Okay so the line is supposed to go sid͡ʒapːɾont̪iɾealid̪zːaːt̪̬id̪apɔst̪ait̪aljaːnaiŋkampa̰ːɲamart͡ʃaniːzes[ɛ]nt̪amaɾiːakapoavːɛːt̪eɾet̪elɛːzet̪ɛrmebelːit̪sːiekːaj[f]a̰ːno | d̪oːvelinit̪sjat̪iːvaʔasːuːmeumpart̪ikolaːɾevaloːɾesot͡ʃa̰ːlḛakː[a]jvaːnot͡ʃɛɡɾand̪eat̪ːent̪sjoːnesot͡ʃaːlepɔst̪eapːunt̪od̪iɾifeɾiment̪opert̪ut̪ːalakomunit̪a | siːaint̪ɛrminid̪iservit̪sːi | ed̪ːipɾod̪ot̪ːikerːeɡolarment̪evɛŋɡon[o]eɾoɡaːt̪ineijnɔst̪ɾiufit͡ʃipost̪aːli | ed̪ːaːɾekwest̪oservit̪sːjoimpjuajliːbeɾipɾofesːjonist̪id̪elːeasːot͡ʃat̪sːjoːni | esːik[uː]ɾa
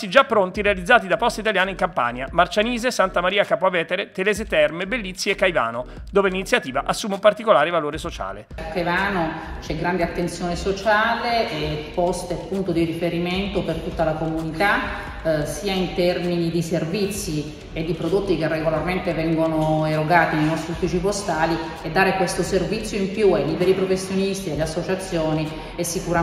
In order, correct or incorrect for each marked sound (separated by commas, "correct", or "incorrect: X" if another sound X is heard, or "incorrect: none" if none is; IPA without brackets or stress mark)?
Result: incorrect: a, incorrect: v, correct, correct, incorrect: u